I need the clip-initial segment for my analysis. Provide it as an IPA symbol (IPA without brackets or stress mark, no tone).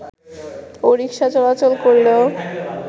o